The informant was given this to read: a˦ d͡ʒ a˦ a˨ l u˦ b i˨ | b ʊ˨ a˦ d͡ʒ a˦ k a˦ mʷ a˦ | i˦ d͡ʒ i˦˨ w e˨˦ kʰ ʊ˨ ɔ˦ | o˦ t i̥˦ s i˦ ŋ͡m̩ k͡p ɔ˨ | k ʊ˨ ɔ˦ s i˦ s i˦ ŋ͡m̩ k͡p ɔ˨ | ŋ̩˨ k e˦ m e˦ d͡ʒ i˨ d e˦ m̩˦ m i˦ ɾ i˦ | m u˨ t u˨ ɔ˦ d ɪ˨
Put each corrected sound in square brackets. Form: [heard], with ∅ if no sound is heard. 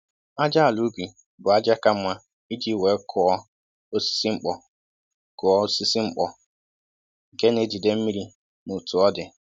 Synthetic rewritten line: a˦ d͡ʒ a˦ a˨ l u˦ b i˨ | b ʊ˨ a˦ d͡ʒ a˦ k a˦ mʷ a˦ | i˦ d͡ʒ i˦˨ w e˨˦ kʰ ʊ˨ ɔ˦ | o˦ [s] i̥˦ s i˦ ŋ͡m̩ k͡p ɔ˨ | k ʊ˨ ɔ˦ s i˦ s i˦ ŋ͡m̩ k͡p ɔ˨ | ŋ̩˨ k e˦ [n] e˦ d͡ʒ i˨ d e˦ m̩˦ m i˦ ɾ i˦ | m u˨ t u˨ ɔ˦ d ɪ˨